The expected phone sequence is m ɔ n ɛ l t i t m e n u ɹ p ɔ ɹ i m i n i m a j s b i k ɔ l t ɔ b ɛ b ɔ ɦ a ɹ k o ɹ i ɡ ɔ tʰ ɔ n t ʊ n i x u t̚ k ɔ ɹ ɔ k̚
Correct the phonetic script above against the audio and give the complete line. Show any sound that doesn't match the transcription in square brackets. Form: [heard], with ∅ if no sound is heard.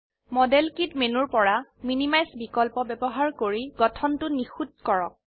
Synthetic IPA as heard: m ɔ [d] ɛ l [k] i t m e n u ɹ p ɔ ɹ [a] m i n i m a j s b i k ɔ l [p] ɔ b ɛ b ɔ ɦ a ɹ k o ɹ i ɡ ɔ tʰ ɔ n t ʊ n i x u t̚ k ɔ ɹ ɔ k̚